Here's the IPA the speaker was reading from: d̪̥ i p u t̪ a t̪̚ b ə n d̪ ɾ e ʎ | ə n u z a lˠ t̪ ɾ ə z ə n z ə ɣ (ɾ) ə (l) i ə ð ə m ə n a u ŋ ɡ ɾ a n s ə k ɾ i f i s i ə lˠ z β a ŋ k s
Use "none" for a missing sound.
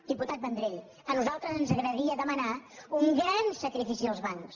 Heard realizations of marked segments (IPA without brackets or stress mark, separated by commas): ɾ, ɾ